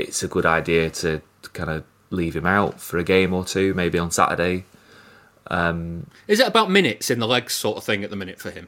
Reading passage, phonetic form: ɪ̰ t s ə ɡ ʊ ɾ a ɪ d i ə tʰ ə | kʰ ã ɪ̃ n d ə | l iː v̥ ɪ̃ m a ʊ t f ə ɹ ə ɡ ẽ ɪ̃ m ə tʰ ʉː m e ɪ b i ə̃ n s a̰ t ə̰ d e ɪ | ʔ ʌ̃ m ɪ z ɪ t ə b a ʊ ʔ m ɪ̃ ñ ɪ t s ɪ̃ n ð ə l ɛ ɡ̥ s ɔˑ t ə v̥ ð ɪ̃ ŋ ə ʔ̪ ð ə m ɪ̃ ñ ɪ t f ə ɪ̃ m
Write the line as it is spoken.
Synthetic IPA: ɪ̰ t s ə ɡ ʊ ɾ a ɪ d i ə tʰ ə | kʰ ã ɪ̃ n d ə | l iː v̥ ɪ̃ m a ʊ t f ə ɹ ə ɡ ẽ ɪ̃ m ə tʰ ʉː m e ɪ b i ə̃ n s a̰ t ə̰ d e ɪ | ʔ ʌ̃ m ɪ z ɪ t ə b a ʊ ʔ m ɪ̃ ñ ɪ t s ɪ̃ n ð ə l ɛ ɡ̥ s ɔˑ t ə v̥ θ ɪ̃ ŋ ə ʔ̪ ð ə m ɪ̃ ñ ɪ t f ə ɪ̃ m